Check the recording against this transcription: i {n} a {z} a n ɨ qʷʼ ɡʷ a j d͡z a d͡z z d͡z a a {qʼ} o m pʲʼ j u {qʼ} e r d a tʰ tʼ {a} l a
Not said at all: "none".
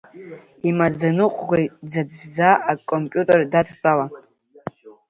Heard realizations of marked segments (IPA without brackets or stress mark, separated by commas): m, d͡z, kʼ, tʼ, a